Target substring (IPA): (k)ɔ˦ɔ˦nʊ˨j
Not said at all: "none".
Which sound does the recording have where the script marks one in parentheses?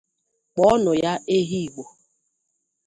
k͡p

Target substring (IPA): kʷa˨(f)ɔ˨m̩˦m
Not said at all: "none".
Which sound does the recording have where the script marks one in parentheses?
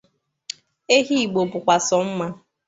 s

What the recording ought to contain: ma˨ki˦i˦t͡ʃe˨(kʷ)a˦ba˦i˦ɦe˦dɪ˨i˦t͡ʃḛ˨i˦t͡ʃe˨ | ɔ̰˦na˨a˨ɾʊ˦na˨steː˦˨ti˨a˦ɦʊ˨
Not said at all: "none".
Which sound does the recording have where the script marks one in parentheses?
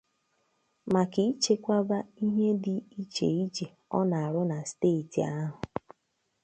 kʷ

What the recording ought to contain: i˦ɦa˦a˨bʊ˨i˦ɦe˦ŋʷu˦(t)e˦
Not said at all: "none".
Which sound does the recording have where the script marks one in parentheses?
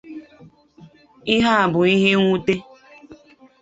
t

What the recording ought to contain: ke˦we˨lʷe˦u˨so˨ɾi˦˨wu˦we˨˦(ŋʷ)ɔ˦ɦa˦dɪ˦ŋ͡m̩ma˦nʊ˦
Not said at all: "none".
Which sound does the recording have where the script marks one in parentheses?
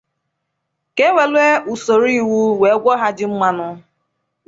ɡʷ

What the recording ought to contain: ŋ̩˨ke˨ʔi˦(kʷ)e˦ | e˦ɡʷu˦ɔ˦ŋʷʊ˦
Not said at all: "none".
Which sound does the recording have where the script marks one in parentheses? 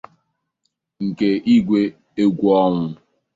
ɡʷ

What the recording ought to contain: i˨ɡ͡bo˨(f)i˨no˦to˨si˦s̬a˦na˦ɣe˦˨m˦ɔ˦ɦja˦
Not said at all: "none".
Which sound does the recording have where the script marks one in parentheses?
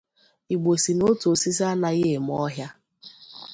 s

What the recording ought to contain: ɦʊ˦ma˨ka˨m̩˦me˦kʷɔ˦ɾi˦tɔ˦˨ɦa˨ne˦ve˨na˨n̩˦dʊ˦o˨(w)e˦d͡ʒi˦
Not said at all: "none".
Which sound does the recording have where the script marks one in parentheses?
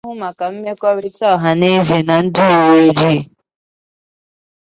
w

